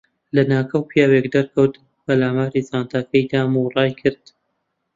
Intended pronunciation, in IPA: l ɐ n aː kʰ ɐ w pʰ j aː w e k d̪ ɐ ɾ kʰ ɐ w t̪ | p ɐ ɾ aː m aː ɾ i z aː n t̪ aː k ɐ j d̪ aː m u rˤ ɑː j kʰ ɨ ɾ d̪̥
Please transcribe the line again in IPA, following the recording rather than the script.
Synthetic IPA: l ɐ n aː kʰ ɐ w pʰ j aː w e k d̪ ɐ ɾ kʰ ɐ w t̪ | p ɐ l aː m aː ɾ i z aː n t̪ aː k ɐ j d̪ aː m u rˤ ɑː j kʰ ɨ ɾ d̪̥